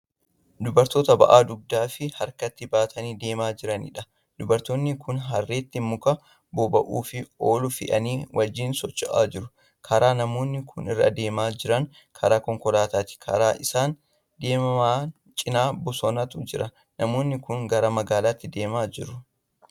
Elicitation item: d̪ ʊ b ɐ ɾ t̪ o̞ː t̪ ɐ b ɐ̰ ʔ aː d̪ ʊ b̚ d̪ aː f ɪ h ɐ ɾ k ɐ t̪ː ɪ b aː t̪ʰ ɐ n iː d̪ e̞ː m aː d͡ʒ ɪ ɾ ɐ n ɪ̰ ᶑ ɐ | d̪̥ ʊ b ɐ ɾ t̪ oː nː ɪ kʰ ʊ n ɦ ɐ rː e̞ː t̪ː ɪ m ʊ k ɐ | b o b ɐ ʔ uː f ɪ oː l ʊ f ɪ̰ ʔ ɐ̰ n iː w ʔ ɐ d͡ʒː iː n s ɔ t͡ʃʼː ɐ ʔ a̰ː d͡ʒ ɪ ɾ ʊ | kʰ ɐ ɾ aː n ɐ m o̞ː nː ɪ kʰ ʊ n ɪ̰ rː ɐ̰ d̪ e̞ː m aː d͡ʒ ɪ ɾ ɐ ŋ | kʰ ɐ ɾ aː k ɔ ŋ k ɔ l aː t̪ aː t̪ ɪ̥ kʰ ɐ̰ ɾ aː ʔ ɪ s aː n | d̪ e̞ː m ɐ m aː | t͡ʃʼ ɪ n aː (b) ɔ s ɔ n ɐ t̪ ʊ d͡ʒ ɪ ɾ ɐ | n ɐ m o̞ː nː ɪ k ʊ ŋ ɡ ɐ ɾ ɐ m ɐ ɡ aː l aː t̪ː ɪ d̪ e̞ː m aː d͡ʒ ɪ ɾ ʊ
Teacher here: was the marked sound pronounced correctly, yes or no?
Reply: yes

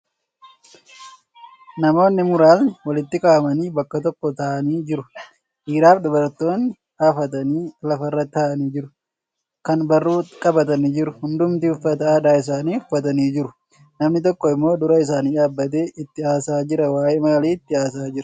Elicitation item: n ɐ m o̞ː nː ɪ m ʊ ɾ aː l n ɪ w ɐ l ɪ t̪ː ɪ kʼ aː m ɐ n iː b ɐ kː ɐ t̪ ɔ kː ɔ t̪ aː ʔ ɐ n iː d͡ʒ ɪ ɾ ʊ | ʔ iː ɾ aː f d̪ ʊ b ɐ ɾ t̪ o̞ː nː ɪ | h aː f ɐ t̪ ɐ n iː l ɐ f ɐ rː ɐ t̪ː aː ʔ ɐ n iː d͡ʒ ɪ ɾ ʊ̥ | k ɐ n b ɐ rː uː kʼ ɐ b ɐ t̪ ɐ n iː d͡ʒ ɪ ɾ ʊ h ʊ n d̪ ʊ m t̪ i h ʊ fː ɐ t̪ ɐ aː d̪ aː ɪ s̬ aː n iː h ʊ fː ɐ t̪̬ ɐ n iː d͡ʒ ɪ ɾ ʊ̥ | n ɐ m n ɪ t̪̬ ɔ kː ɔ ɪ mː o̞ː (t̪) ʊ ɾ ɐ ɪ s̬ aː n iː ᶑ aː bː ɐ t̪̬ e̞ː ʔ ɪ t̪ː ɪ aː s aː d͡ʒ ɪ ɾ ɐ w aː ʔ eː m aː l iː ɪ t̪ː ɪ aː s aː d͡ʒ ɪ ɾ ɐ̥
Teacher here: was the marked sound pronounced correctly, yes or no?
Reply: no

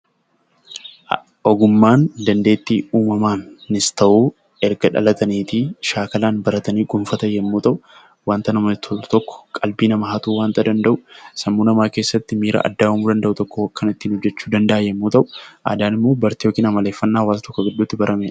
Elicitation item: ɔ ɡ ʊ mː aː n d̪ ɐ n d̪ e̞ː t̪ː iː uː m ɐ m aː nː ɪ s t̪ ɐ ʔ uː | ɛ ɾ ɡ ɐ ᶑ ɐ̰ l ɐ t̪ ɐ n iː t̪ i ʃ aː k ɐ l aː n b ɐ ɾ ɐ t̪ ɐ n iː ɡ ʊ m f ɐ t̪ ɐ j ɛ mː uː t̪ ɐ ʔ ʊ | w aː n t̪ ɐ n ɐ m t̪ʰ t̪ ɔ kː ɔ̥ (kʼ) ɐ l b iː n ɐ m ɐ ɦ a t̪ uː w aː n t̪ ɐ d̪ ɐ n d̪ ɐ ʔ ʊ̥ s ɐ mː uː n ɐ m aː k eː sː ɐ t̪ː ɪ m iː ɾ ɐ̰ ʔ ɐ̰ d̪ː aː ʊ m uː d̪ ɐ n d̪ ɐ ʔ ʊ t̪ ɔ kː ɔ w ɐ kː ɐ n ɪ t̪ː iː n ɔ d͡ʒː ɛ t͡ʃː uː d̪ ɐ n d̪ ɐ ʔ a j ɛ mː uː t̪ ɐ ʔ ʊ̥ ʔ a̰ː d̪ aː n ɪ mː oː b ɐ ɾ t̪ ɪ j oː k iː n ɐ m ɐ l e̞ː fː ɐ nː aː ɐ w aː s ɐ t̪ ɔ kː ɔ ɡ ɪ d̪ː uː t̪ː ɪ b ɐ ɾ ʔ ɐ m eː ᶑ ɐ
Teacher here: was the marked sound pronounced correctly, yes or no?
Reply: yes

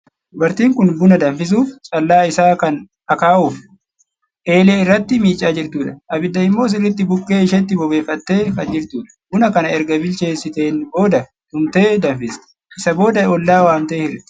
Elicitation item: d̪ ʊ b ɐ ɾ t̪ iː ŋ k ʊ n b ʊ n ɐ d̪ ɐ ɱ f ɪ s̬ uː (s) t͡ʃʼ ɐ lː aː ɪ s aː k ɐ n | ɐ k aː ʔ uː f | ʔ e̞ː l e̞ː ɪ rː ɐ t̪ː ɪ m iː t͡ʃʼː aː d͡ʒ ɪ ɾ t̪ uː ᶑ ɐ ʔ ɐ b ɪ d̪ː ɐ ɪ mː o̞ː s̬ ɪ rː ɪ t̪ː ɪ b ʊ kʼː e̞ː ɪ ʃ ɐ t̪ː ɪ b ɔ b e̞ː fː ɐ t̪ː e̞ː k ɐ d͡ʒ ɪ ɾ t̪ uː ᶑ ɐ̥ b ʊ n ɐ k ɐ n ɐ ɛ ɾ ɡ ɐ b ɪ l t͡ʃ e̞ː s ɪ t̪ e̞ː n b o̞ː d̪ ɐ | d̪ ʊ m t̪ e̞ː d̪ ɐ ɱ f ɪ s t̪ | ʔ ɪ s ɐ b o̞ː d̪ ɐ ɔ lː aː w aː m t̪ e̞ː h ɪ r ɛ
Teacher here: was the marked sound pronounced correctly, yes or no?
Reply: no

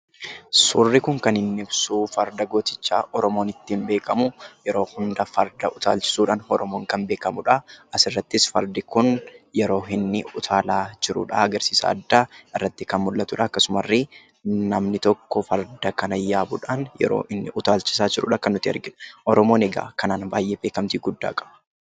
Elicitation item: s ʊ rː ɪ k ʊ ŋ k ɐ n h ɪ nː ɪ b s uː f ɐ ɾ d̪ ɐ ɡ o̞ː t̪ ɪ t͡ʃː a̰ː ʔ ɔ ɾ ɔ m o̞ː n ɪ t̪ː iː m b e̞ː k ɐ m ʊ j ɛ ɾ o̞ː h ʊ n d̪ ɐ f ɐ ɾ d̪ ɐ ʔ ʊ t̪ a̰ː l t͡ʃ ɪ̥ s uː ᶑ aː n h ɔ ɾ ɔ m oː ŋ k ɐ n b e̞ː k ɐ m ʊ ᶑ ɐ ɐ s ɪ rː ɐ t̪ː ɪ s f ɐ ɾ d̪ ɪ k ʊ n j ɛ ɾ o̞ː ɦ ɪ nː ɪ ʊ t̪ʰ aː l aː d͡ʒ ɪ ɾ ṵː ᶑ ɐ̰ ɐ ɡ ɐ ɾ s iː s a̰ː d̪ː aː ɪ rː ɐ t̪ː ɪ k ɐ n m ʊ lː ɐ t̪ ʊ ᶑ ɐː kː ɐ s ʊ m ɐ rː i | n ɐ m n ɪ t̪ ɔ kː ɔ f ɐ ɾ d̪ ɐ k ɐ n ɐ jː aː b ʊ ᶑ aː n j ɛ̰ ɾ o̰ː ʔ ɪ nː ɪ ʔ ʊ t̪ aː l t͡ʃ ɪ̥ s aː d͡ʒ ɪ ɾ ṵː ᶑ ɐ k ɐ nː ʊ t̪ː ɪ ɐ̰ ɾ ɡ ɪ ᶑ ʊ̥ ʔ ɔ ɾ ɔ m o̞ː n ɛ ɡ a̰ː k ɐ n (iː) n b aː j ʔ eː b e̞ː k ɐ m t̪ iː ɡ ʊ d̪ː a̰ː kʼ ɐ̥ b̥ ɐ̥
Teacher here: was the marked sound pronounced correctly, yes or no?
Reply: no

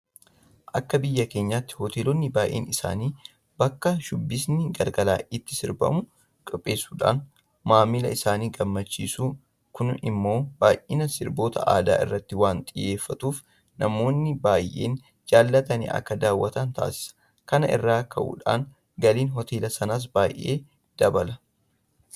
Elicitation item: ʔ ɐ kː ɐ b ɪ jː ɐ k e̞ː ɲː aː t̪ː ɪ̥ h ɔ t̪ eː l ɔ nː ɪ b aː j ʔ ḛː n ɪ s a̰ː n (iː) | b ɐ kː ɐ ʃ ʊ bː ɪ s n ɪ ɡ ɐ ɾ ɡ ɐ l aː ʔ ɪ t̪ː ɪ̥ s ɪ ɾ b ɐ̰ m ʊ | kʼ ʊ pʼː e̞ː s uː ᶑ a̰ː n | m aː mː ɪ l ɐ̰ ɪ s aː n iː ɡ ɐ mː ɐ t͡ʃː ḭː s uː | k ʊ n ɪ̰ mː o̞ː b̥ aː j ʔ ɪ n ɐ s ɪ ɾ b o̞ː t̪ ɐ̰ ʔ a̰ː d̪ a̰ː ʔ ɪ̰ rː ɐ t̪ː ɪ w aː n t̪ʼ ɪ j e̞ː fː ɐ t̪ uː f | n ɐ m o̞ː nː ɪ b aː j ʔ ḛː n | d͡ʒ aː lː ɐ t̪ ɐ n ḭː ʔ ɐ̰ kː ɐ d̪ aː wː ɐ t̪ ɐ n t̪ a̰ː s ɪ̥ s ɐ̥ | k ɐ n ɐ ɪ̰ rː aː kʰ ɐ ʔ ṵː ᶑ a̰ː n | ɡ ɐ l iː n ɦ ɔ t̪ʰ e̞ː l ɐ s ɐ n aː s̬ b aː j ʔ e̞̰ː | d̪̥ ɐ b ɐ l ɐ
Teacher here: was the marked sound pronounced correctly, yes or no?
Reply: yes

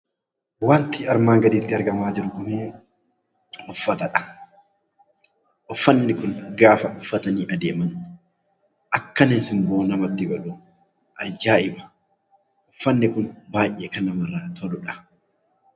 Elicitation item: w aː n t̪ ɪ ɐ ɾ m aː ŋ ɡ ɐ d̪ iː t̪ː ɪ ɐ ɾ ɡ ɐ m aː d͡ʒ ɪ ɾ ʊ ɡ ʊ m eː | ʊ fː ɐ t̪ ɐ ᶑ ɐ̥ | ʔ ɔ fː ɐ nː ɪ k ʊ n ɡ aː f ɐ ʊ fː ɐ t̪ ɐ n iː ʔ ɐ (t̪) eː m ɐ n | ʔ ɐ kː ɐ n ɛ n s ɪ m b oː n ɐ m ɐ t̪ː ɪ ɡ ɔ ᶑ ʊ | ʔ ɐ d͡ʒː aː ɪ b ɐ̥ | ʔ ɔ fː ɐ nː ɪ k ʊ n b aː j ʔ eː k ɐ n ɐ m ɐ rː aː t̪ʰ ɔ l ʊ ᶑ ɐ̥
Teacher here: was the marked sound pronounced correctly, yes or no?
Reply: no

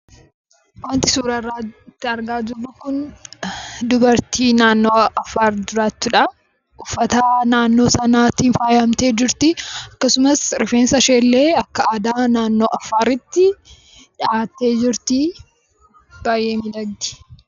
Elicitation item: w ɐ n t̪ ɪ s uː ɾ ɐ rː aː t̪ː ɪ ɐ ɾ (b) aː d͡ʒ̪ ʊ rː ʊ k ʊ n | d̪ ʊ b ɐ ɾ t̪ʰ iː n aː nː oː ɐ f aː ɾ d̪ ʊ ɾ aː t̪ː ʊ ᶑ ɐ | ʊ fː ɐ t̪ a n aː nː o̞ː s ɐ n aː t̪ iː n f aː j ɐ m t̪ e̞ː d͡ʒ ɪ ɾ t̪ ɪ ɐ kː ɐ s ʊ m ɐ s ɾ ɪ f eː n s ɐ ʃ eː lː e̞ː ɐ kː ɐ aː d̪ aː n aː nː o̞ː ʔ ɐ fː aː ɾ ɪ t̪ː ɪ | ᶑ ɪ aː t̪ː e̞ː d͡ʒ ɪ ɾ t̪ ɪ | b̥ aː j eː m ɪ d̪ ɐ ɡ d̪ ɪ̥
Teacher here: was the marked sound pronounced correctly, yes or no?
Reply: no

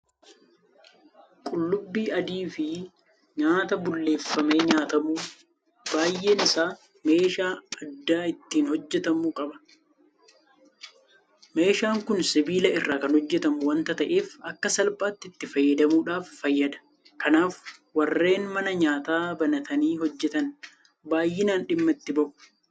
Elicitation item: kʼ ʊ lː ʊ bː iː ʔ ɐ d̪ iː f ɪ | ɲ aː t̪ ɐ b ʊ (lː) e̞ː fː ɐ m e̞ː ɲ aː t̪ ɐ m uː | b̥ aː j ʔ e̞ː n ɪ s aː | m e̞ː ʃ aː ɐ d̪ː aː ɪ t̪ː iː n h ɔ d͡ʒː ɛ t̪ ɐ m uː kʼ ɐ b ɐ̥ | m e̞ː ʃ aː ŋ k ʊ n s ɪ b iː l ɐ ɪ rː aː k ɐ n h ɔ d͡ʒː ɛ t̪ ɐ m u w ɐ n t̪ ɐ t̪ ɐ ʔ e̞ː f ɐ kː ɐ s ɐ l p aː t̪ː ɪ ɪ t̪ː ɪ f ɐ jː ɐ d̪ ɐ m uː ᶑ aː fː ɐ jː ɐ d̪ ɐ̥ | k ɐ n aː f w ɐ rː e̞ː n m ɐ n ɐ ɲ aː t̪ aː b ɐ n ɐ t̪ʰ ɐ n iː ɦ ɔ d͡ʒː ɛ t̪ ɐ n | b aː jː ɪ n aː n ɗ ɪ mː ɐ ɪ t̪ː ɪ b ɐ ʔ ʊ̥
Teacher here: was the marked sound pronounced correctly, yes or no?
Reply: yes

